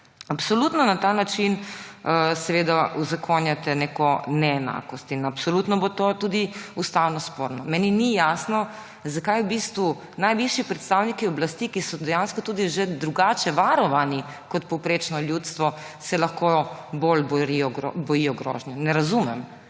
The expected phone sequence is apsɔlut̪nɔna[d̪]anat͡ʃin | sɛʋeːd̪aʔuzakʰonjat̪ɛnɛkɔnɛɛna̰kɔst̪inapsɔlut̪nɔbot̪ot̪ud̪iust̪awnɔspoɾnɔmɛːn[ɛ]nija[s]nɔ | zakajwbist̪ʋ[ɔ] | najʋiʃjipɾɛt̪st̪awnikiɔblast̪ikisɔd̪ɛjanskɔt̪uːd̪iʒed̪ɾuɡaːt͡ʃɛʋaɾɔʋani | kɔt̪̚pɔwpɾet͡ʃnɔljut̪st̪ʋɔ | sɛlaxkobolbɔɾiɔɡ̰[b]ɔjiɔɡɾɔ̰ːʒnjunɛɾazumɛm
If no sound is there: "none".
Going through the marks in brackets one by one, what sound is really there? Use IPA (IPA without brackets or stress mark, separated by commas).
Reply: t̪, i, s, u, b